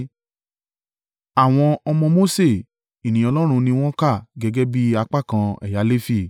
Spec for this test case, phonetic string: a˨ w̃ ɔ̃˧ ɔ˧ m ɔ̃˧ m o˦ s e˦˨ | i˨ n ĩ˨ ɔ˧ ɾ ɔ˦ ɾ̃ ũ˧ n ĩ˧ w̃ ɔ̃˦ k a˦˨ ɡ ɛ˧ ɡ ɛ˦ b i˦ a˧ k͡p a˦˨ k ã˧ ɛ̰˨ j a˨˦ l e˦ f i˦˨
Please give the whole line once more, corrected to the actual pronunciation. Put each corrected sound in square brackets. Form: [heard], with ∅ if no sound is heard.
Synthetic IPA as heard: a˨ w̃ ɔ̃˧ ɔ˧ m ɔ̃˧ m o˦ s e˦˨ | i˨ n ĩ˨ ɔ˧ [l] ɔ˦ ɾ̃ ũ˧ n ĩ˧ w̃ ɔ̃˦ k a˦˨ ɡ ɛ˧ ɡ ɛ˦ b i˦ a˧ k͡p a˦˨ k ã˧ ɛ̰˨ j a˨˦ l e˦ f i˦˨